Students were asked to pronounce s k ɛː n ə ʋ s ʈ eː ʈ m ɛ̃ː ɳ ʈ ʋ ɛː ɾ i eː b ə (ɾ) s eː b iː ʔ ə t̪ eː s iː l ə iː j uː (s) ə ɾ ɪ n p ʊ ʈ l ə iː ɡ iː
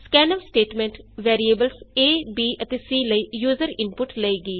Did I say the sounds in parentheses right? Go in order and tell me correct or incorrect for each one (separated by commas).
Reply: incorrect, incorrect